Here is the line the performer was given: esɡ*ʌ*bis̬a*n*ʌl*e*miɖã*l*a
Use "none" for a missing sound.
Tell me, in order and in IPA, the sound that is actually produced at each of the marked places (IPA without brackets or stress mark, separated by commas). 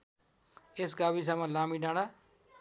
a, m, a, ɽ